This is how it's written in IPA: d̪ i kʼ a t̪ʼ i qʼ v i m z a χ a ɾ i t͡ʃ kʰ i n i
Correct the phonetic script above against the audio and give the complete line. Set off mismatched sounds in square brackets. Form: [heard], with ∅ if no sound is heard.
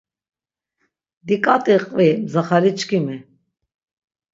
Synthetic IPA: d̪ i kʼ a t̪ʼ i qʼ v i m z a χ a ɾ i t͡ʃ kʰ i [m] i